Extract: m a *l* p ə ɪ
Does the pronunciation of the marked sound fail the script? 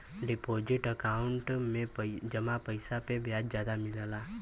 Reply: yes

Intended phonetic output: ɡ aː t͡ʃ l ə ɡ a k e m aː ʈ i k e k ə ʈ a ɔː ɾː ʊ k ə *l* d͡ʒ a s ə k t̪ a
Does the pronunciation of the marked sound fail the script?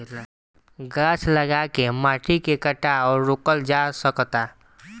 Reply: no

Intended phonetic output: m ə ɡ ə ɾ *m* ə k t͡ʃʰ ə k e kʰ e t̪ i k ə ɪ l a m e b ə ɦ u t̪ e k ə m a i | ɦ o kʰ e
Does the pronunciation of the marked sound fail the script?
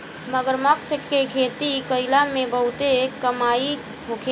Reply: no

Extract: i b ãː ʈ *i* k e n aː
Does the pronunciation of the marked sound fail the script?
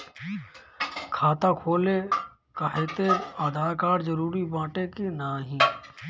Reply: yes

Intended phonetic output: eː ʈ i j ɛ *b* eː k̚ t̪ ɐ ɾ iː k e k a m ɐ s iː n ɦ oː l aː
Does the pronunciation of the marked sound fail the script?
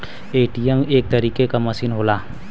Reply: yes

